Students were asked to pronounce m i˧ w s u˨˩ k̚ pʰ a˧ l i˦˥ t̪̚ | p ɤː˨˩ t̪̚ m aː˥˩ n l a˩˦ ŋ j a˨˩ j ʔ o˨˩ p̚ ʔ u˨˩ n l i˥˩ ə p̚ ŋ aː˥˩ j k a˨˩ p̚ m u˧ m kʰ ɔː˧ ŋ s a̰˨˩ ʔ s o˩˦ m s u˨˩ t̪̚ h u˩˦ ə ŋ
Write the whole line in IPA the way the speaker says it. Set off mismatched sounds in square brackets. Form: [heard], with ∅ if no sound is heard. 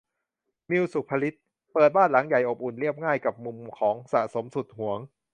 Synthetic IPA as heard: m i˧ w s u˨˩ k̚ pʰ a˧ l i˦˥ t̪̚ | p ɤː˨˩ t̪̚ [b] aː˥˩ n l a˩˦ ŋ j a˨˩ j ʔ o˨˩ p̚ ʔ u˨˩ n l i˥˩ ə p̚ ŋ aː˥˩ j k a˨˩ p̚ m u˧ m kʰ [ɔː˩˦] ŋ s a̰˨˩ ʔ s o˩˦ m s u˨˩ t̪̚ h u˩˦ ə ŋ